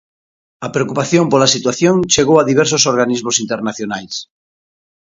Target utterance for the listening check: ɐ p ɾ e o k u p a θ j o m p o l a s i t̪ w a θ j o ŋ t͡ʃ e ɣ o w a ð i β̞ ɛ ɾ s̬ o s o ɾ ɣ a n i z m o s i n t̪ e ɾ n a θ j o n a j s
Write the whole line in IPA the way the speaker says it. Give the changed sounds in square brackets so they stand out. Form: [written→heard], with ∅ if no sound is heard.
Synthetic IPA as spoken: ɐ p ɾ e o k u p a θ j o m p o l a s i t̪ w a θ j o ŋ t͡ʃ e ɣ o w a ð i β̞ ɛ ɾ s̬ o s o ɾ ɣ a n i z m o s i n t̪ e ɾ n a θ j o n a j s